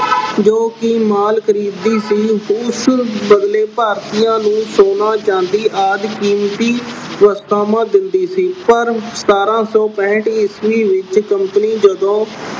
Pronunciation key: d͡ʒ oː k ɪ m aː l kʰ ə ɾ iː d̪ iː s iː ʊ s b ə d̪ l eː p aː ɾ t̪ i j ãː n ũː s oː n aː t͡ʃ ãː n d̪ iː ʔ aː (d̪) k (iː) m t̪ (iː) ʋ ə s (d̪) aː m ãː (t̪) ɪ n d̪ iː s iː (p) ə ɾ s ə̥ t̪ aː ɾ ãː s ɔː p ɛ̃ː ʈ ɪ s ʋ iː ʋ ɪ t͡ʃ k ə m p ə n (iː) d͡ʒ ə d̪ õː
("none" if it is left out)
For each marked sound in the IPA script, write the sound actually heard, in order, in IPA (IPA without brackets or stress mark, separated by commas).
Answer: d̪, iː, iː, t̪, d̪, p, iː